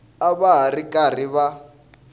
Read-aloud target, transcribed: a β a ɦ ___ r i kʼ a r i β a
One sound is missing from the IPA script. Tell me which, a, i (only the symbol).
a